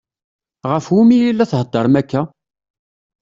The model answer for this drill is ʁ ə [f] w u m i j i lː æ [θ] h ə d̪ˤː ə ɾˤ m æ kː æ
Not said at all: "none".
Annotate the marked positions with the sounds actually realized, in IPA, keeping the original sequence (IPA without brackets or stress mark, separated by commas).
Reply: f, θ